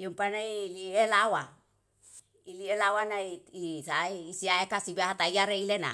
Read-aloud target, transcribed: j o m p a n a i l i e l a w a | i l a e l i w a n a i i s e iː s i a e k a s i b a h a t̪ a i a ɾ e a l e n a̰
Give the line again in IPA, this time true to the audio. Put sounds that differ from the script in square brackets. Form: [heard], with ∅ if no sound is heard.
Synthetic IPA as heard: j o m p a n a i l i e l a w a | i l [i] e l [a] w a n a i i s [a] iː s i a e k a s i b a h a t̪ a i a ɾ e [i] l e n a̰